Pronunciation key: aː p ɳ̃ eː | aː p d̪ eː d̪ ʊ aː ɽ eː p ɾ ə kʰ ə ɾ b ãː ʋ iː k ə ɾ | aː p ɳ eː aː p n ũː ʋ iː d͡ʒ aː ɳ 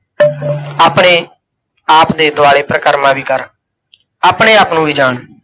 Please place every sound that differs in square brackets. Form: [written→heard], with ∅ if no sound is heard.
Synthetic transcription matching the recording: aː p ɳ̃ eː | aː p d̪ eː d̪ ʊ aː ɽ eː p ɾ ə [kʰ→k] ə ɾ [b→m] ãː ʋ iː k ə ɾ | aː p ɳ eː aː p n ũː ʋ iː d͡ʒ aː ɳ